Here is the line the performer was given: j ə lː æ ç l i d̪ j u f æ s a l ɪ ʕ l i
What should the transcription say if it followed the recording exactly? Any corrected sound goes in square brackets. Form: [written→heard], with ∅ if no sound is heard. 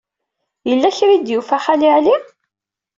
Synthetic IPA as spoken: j ə lː æ ç [l→ɾ] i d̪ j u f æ [s→χ] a l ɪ ʕ l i